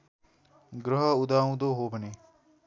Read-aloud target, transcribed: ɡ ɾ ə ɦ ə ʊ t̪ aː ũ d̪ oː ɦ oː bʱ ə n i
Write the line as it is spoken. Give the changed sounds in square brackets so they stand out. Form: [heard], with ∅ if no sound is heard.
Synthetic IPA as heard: ɡ ɾ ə ɦ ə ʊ [d̪] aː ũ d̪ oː ɦ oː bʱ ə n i

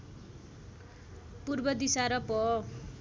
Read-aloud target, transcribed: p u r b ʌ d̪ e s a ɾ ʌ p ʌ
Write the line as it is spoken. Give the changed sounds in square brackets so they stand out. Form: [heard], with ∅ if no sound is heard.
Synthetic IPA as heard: p u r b ʌ d̪ [i] s a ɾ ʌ p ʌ

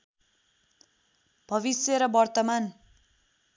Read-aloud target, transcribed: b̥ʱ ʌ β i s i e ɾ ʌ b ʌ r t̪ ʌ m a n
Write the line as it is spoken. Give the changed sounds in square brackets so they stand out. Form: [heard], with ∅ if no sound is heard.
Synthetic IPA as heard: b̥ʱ ʌ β i s [j] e ɾ ʌ b ʌ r t̪ ʌ m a n

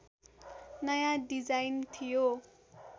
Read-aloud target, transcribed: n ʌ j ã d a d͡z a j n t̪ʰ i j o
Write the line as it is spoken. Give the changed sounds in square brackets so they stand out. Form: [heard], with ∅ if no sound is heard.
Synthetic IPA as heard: n ʌ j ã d [i] d͡z a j n t̪ʰ i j o

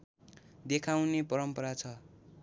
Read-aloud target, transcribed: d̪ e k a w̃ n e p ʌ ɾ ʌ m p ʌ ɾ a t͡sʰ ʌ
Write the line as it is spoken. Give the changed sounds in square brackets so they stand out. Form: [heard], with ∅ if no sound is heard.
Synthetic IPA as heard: d̪ e [kʰ] a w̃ n e p ʌ ɾ ʌ m p ʌ ɾ a t͡sʰ ʌ

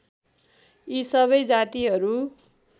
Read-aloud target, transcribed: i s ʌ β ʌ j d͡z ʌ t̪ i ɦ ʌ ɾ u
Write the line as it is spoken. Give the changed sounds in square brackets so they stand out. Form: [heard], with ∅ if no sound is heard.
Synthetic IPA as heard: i s ʌ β ʌ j d͡z [a] t̪ i ɦ ʌ ɾ u

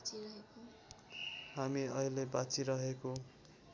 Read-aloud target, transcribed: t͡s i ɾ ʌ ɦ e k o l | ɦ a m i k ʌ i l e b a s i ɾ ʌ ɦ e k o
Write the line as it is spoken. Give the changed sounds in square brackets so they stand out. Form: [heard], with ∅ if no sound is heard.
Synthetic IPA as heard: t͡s i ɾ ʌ ɦ e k o [∅] | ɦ a m i [∅] ʌ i l e b a [t͡s] i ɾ ʌ ɦ e k o

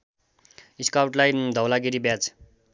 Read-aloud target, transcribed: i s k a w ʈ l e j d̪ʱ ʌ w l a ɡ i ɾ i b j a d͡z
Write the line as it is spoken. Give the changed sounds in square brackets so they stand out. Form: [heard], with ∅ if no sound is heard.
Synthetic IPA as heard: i s k a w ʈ l [a] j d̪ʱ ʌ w l a ɡ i ɾ i b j a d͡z

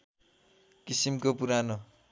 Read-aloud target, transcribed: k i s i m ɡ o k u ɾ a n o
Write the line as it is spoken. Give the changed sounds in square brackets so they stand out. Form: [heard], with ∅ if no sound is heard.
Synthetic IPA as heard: k i s i m [k] o [p] u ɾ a n o

